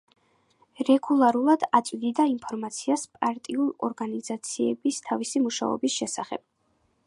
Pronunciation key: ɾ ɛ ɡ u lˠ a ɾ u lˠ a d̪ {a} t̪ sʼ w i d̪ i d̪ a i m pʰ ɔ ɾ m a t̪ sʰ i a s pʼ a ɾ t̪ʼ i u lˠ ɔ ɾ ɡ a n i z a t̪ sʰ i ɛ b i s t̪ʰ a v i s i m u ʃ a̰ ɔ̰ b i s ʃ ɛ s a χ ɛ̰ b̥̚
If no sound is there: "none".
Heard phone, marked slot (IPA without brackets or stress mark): a